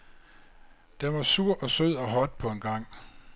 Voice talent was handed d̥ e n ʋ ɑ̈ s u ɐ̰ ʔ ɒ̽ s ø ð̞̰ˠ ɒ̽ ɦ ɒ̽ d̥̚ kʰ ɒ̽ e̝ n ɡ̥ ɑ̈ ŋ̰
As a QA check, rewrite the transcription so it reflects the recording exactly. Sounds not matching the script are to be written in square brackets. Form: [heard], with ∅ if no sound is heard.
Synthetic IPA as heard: d̥ e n ʋ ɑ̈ s u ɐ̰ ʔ ɒ̽ s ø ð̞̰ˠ ɒ̽ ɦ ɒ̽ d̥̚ [pʰ] ɒ̽ e̝ n ɡ̥ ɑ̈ ŋ̰

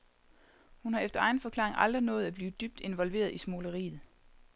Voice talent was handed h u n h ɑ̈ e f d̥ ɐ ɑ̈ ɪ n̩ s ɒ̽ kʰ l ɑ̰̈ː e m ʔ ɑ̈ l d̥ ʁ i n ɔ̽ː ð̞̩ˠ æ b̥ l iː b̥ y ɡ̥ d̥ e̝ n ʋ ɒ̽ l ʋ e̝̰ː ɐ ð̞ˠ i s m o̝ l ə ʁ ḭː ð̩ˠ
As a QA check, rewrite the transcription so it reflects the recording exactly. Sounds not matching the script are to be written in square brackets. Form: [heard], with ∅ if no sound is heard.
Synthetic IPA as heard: h u n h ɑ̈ e f d̥ ɐ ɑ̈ ɪ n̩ [f] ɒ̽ kʰ l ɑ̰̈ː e [ŋ] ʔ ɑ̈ l d̥ ʁ i n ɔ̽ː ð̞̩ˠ æ b̥ l iː [d̥] y [b̥] d̥ e̝ n ʋ ɒ̽ l ʋ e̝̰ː ɐ ð̞ˠ i s m o̝ l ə ʁ ḭː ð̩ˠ

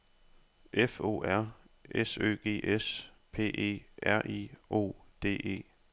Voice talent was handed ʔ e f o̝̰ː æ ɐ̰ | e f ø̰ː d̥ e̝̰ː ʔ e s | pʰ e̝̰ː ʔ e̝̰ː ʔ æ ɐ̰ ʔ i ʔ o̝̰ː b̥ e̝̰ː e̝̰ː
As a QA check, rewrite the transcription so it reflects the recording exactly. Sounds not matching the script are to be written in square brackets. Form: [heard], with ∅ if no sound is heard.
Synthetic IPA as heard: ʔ e f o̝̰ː æ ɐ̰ | e [s] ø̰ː [ɡ̥] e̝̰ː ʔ e s | pʰ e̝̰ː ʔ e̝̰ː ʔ æ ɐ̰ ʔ i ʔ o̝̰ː [d̥] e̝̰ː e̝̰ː

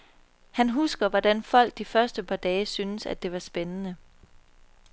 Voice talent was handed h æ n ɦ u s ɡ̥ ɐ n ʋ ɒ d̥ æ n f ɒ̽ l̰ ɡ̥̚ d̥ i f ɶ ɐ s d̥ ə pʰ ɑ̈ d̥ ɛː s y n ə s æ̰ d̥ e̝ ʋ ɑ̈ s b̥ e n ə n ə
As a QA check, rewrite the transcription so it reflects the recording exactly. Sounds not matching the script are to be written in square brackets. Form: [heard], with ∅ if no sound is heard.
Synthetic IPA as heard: h æ n ɦ u s ɡ̥ ɐ [∅] ʋ ɒ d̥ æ n f ɒ̽ l̰ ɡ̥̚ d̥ i f ɶ ɐ s d̥ ə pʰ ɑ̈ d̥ ɛː s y n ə s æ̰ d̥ e̝ ʋ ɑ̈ s b̥ e n ə n ə

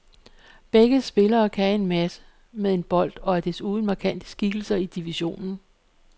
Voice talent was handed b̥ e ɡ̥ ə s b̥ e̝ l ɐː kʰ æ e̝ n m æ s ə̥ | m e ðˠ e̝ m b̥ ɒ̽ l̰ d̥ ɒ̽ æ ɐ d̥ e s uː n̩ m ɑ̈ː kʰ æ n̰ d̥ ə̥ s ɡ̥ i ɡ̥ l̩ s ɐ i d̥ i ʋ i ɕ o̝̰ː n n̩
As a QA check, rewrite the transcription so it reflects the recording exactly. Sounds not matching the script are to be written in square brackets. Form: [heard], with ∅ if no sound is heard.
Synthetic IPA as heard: b̥ e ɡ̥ ə s b̥ e̝ l ɐː kʰ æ e̝ n m æ s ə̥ | m e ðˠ e̝ [n] b̥ ɒ̽ l̰ d̥ ɒ̽ æ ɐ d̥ e s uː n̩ m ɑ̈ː kʰ æ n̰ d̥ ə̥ s ɡ̥ i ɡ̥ l̩ s ɐ i d̥ i ʋ i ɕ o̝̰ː n n̩

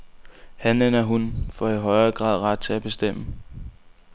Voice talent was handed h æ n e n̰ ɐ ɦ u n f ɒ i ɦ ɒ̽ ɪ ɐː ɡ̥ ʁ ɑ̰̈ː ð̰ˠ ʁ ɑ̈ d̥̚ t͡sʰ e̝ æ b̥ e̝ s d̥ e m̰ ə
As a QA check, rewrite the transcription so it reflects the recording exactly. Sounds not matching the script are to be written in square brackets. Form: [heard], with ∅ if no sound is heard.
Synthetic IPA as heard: h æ n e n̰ ɐ ɦ u n f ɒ i ɦ ɒ̽ ɪ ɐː ɡ̥ ʁ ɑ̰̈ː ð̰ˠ ʁ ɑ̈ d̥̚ t͡sʰ e̝ æ b̥ e̝ s d̥ e m̰ ə

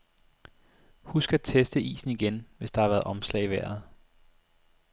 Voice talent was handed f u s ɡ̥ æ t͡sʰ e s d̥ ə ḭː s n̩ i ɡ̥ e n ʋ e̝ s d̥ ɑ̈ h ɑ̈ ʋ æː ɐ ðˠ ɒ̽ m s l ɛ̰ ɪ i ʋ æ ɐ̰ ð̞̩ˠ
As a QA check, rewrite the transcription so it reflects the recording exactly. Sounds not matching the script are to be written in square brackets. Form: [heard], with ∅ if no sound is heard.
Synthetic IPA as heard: [h] u s ɡ̥ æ t͡sʰ e s d̥ ə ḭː s n̩ i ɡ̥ e n ʋ e̝ s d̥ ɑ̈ h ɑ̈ ʋ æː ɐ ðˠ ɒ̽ m s l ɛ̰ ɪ i ʋ æ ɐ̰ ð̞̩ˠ

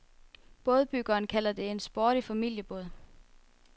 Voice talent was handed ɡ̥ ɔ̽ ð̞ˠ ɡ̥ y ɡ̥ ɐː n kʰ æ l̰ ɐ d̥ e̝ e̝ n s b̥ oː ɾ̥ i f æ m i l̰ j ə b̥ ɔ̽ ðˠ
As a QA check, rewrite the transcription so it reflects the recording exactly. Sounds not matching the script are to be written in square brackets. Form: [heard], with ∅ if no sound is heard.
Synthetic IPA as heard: [b̥] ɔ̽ ð̞ˠ [b̥] y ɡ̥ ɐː n kʰ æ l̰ ɐ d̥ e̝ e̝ n s b̥ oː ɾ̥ i f æ m i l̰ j ə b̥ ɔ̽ ðˠ

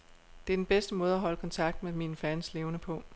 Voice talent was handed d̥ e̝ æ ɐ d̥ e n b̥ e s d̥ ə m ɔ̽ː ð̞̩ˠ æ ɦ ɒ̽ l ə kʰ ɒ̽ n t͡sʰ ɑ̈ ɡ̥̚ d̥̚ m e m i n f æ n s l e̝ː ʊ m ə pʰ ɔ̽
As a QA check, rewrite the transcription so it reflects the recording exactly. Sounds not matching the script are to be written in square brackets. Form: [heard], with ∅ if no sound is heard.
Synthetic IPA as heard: d̥ e̝ æ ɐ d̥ e n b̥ e s d̥ ə m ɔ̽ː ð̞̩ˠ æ ɦ ɒ̽ l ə kʰ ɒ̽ n t͡sʰ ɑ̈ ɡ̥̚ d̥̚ m e m i n f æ n s l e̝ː ʊ [n] ə pʰ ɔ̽

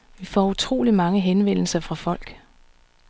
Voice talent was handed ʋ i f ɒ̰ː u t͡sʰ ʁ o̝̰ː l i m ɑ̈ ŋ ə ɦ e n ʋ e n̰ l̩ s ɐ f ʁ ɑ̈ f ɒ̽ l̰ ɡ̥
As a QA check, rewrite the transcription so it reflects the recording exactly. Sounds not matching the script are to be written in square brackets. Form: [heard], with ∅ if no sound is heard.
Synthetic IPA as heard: ʋ i f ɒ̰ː u t͡sʰ ʁ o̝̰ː l i m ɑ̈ ŋ ə ɦ e n ʋ e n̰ l̩ s ɐ f ʁ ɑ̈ f ɒ̽ l̰ ɡ̥

